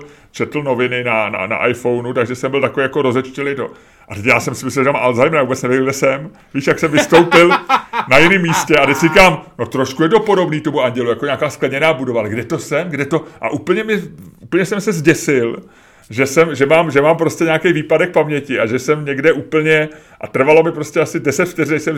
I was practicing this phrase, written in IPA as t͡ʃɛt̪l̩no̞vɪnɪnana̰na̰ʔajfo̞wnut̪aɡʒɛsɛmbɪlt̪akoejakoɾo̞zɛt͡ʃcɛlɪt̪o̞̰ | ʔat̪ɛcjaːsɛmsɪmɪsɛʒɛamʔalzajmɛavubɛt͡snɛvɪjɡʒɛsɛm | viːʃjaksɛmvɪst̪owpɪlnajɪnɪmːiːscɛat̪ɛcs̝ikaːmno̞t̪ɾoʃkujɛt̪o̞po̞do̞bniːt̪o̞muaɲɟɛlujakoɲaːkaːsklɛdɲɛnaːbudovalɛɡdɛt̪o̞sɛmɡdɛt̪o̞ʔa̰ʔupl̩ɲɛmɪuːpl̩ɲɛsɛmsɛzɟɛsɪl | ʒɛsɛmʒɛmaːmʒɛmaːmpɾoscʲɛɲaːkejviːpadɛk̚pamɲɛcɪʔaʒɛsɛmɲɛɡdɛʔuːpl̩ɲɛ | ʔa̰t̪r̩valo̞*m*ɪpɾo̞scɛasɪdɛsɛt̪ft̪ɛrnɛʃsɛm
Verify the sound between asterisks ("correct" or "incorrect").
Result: correct